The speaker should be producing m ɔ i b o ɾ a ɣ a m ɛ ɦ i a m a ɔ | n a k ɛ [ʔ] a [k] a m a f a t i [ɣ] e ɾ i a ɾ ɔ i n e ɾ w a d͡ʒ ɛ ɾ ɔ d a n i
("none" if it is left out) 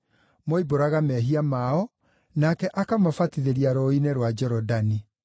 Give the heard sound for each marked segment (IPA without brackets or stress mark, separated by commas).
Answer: ʔ, k, ð